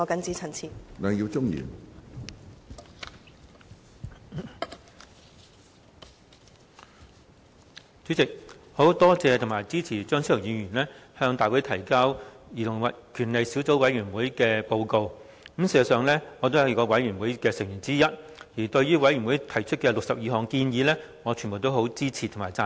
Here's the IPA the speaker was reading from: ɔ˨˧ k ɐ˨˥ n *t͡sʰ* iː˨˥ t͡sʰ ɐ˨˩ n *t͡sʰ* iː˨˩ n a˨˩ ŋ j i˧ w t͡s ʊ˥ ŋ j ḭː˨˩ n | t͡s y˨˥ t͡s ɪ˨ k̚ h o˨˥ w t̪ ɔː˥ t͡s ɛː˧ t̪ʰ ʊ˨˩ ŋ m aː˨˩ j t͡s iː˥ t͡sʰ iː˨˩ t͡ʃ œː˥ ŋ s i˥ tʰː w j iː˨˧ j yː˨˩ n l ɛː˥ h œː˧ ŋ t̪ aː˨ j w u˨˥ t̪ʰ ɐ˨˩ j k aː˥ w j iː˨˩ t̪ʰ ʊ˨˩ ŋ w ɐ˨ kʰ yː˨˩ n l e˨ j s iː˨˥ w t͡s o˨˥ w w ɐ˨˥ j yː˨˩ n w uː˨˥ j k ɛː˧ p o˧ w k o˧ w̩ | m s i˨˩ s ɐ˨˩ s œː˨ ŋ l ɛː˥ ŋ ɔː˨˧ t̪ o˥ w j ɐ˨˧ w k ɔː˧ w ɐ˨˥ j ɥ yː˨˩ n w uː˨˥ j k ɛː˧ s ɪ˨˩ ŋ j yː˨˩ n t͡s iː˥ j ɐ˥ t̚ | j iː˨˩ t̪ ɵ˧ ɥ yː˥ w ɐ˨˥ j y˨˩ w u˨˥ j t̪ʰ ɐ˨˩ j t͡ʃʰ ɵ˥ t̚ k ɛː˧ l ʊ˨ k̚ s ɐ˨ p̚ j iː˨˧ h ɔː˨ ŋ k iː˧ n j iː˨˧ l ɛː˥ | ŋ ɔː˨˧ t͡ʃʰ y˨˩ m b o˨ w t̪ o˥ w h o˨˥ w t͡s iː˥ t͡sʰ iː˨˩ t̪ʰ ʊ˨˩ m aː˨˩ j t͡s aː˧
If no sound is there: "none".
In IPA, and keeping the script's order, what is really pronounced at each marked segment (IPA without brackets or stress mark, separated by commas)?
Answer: t͡s, t͡sʰ